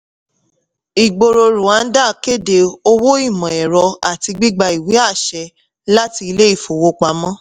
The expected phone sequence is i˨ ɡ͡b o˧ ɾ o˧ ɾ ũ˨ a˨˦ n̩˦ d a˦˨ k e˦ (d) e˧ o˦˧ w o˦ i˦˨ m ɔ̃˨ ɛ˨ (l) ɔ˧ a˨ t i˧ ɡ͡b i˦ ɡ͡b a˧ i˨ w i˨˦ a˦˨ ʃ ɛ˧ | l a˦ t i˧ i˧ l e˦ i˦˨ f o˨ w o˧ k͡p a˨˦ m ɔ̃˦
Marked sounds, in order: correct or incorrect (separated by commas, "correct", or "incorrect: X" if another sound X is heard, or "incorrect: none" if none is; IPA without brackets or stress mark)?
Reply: correct, incorrect: ɾ